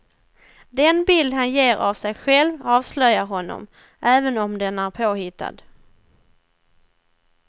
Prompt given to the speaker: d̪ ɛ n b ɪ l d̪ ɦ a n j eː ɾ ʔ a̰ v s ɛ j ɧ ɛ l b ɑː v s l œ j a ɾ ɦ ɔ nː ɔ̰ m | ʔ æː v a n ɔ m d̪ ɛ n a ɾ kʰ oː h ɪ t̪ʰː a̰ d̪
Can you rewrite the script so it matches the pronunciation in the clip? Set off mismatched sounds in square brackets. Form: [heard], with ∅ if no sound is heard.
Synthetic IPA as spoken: d̪ ɛ n b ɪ l d̪ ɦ a n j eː ɾ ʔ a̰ v s ɛ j ɧ ɛ l [v] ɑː v s l œ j a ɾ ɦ ɔ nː ɔ̰ m | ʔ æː v [ə] n ɔ m d̪ ɛ n [æ] ɾ [pʰ] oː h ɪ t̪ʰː a̰ d̪